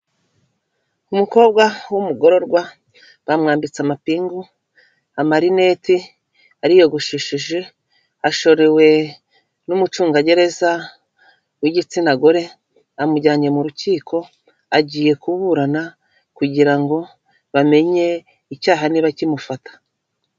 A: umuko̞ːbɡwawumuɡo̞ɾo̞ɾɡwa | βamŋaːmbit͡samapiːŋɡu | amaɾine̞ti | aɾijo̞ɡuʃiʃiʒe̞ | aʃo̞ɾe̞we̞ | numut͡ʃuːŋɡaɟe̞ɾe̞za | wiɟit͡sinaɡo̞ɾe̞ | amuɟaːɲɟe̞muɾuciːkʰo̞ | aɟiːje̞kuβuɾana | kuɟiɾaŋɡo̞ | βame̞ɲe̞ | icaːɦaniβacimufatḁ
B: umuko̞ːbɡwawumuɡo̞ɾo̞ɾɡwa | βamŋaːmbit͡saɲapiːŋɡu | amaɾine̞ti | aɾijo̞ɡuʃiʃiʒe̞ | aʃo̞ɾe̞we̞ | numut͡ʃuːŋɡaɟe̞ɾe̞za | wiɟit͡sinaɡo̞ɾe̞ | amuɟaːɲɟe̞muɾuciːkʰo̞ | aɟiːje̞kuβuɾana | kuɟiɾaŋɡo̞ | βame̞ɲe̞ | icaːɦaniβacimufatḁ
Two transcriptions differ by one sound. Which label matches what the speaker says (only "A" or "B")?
A